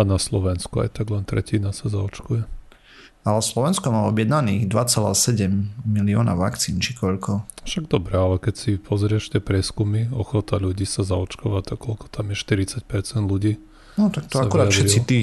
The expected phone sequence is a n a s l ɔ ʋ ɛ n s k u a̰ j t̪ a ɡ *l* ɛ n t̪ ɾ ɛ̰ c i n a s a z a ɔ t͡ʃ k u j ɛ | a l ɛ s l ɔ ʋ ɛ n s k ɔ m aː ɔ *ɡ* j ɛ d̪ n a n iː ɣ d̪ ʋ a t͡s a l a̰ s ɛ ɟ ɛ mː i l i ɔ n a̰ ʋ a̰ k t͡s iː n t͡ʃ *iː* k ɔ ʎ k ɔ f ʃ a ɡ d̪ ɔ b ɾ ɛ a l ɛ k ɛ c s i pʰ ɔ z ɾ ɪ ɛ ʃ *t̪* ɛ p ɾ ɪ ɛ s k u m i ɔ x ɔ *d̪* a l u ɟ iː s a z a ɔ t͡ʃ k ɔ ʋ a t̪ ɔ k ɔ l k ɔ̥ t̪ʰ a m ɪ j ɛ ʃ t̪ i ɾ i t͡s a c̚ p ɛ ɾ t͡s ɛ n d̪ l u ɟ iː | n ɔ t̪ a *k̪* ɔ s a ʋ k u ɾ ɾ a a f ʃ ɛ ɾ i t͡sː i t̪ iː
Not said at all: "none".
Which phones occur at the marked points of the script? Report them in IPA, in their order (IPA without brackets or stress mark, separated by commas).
l, b, i, t̪, t̪, k̪